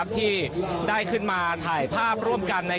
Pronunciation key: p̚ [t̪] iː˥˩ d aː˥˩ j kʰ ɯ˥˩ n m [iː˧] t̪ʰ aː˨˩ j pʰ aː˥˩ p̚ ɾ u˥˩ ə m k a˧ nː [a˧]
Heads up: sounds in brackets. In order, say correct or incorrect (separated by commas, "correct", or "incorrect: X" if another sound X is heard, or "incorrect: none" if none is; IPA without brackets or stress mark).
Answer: incorrect: t̪ʰ, incorrect: aː˧, correct